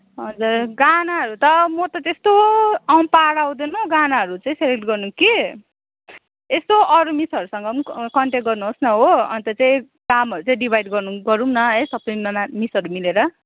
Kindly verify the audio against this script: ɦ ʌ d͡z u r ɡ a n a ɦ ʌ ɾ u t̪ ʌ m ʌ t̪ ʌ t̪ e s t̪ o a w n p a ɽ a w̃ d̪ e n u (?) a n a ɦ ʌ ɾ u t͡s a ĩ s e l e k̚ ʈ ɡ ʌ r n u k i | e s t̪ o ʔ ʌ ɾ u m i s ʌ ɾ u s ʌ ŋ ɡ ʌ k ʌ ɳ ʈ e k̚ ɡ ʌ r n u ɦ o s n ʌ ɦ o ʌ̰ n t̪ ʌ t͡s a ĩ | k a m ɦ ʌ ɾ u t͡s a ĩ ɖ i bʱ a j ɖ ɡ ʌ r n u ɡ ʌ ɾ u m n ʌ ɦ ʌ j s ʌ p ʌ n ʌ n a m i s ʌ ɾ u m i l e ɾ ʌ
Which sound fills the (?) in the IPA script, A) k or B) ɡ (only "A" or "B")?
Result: B